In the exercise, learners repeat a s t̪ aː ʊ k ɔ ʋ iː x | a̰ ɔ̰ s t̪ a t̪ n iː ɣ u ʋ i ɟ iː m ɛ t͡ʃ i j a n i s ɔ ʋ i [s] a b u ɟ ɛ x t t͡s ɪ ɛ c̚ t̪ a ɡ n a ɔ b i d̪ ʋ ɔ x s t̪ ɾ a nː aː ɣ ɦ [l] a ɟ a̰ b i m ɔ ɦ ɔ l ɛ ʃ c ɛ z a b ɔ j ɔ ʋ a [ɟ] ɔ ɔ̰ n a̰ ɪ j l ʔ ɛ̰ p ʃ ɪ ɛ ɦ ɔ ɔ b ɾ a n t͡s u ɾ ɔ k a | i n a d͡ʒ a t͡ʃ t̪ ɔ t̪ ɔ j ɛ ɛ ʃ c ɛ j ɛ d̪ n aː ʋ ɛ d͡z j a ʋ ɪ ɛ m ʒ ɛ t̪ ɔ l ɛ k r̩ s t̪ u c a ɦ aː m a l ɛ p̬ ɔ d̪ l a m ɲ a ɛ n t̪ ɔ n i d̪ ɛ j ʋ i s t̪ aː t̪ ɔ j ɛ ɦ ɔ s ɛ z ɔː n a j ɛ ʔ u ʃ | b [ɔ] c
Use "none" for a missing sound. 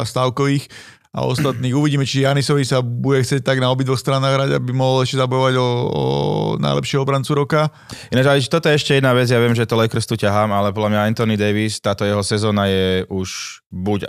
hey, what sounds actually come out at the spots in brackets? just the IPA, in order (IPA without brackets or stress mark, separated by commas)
s, ɾ, ɟ, u